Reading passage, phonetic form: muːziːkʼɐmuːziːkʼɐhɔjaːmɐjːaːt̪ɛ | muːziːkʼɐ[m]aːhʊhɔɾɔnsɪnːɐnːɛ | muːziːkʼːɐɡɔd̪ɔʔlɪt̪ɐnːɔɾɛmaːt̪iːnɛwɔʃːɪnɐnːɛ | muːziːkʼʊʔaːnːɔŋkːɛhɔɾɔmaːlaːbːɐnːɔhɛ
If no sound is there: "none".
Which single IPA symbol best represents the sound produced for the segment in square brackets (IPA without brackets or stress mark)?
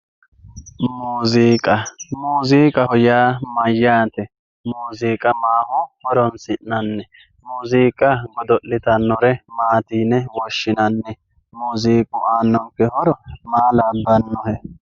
m